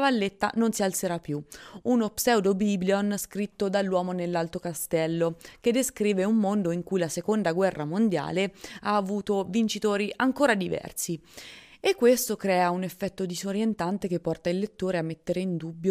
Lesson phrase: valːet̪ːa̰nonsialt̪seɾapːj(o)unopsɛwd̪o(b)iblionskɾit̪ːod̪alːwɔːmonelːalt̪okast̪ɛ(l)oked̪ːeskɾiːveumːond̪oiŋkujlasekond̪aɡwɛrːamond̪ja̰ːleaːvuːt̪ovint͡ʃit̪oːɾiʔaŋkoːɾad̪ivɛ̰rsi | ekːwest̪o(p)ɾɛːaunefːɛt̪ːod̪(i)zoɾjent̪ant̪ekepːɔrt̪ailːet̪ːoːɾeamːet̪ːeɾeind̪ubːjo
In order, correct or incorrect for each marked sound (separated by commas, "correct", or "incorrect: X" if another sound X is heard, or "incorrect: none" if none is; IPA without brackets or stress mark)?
incorrect: u, correct, incorrect: lː, incorrect: k, correct